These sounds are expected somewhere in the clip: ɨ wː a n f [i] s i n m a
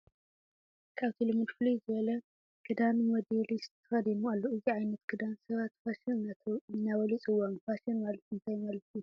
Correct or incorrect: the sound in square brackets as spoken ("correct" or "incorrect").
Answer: incorrect